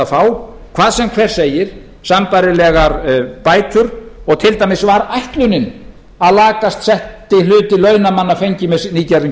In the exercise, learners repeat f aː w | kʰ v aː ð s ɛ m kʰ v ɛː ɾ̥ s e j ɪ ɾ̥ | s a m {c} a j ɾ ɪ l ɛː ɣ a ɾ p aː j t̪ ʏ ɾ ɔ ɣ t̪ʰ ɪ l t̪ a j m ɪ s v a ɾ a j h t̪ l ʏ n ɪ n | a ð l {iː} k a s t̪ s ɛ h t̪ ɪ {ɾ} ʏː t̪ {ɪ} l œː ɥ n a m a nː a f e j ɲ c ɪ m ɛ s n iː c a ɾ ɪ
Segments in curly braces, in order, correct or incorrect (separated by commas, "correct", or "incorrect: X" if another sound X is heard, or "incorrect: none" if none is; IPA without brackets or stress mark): incorrect: p, incorrect: aː, incorrect: l, correct